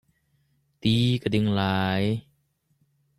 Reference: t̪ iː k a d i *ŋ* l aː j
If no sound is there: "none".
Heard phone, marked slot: ŋ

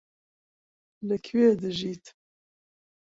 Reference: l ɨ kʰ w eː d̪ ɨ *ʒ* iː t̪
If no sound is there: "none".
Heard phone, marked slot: ʒ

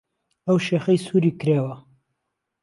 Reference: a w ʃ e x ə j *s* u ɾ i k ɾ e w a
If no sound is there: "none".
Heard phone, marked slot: s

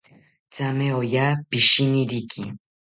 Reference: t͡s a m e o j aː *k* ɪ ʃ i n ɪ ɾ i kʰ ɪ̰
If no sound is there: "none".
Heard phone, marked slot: p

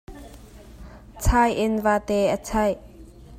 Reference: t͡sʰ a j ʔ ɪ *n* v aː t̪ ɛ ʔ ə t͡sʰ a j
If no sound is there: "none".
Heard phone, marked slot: n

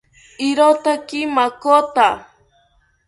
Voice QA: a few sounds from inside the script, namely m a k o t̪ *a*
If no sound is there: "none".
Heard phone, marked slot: a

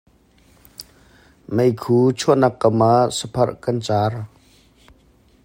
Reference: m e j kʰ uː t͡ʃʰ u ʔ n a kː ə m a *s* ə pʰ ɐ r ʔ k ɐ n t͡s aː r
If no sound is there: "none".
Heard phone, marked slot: s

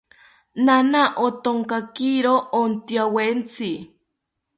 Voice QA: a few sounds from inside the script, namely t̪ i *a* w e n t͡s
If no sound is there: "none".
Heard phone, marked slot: a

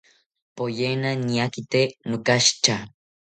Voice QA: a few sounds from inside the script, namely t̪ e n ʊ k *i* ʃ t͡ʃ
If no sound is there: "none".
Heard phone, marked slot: a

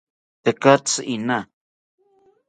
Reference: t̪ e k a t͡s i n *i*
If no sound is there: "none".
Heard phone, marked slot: a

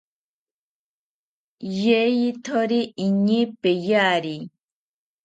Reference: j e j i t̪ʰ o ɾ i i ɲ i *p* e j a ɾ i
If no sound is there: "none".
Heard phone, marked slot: p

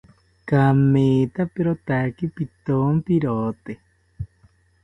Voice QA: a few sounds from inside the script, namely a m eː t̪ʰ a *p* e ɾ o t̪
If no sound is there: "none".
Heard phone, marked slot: p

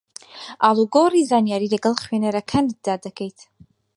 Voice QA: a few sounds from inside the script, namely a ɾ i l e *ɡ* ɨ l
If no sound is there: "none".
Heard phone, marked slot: ɡ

